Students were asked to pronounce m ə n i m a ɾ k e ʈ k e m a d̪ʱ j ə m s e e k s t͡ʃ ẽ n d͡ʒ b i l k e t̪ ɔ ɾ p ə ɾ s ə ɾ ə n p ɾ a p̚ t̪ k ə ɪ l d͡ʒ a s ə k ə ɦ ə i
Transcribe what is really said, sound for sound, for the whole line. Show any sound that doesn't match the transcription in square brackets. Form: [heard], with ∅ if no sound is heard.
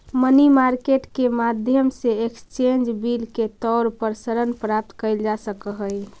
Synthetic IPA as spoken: m ə n i m a ɾ k e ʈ k e m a d̪ʱ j ə m s e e k s t͡ʃ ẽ n d͡ʒ b i l k e t̪ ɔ ɾ p ə ɾ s ə ɾ ə n p ɾ a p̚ t̪ k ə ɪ l d͡ʒ a s ə k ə ɦ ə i